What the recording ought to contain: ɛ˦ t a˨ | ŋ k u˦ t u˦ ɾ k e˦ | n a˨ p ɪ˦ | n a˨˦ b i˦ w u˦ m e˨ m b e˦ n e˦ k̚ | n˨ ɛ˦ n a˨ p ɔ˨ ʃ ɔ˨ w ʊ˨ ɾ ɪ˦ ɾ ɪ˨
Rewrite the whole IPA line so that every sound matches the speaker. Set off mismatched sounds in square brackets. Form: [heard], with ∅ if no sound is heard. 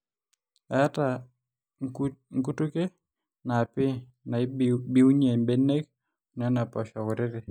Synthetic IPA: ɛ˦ t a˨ | ŋ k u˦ t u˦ [∅] k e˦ | n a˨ p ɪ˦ | n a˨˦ b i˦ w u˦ [ɲ] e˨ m b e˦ n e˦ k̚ | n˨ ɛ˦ n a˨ p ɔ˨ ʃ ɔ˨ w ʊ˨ ɾ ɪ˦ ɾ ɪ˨